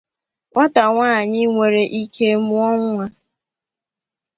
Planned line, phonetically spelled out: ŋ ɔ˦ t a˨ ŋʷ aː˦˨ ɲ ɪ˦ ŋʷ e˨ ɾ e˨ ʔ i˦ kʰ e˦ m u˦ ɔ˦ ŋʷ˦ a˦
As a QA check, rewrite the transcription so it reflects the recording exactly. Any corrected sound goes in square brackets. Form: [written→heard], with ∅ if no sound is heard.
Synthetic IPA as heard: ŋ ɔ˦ t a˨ ŋʷ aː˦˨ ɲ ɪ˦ ŋʷ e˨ ɾ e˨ ʔ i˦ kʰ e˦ m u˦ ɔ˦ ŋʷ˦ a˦